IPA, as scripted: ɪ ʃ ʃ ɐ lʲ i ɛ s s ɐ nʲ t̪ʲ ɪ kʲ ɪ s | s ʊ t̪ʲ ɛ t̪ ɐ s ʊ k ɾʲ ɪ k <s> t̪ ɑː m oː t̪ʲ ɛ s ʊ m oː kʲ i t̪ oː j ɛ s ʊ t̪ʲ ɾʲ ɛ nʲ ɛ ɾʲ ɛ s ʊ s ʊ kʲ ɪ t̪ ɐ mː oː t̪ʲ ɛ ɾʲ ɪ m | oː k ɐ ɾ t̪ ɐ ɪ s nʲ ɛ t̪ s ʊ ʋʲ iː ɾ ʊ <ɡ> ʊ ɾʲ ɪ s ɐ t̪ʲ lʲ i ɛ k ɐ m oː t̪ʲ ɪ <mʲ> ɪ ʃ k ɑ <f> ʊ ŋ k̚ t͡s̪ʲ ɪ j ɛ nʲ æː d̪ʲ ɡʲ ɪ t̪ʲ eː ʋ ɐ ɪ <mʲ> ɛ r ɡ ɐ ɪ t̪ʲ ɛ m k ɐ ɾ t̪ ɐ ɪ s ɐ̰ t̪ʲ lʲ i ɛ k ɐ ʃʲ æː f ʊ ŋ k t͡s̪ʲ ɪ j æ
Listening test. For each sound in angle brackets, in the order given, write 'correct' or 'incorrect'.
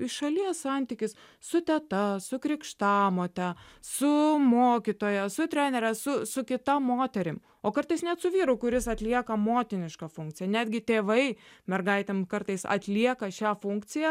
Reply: incorrect: ʃ, incorrect: k, incorrect: nʲ, correct, correct

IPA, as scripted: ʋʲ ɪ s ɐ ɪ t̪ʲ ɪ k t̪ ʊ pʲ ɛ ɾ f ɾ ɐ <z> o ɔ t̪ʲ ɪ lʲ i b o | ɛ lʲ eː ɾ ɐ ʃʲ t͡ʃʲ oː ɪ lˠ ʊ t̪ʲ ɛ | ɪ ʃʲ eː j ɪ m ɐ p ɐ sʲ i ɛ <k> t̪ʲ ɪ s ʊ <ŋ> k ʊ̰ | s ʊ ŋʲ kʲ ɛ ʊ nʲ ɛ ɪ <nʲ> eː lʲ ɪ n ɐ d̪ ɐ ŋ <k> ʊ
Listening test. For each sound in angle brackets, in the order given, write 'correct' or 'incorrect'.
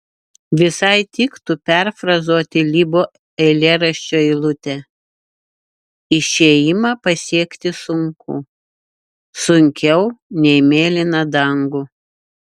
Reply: correct, correct, correct, incorrect: mʲ, incorrect: ɡ

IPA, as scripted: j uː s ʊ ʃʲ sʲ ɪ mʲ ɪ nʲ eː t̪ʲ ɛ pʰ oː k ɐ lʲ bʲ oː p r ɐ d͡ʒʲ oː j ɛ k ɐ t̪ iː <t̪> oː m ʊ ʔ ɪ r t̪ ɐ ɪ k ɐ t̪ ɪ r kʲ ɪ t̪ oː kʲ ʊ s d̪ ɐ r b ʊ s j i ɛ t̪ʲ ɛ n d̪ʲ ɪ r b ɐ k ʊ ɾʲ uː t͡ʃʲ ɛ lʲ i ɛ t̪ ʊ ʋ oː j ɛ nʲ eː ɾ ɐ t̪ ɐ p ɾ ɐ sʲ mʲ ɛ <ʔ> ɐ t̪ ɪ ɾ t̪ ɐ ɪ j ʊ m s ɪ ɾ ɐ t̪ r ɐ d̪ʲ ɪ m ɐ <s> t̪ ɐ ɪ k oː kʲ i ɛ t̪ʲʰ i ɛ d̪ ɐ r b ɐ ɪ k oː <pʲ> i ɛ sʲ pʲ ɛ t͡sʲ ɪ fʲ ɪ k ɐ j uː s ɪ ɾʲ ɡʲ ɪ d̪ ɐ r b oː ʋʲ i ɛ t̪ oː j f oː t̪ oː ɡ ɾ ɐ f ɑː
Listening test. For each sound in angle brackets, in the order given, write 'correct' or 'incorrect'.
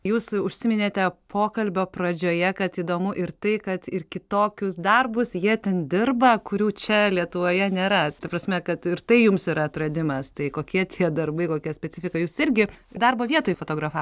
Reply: incorrect: d̪, incorrect: k, correct, incorrect: kʲ

